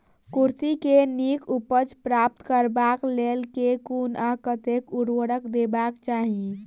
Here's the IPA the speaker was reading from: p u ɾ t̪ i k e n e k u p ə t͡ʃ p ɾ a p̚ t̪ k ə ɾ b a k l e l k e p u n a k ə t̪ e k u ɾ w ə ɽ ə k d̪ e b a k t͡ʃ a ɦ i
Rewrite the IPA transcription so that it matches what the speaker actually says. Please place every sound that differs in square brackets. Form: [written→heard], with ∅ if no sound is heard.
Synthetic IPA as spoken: [p→k] u ɾ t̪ i k e n [e→i] k u p ə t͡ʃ p ɾ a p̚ t̪ k ə ɾ b a k l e l k e [p→k] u n a k ə t̪ e k u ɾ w ə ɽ ə k d̪ e b a k t͡ʃ a ɦ i